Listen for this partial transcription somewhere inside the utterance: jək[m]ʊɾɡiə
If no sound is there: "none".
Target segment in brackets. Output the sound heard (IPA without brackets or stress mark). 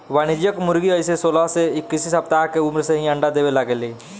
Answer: m